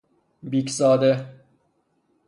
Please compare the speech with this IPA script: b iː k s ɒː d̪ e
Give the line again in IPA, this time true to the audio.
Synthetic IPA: b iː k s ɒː d̪ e